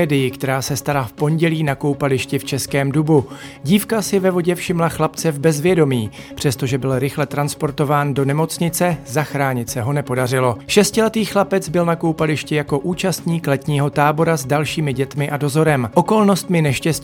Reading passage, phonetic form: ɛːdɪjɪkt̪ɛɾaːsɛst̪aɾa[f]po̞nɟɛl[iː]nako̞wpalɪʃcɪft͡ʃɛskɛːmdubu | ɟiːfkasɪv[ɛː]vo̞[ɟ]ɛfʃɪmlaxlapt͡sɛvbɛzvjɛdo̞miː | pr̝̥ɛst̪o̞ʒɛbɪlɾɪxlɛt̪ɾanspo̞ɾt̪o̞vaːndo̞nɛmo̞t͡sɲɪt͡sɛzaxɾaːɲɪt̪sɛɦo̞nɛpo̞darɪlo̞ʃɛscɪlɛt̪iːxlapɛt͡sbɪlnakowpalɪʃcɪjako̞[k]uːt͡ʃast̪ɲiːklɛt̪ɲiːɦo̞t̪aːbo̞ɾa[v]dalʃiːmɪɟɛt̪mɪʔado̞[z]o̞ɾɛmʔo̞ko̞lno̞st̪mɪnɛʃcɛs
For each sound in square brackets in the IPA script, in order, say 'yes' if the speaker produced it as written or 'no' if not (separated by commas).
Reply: yes, yes, no, yes, no, no, yes